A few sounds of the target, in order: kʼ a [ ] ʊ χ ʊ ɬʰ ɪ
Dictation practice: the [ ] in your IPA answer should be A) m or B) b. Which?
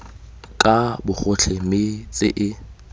B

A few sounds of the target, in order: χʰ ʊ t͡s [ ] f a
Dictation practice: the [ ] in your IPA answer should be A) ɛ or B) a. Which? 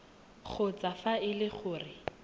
B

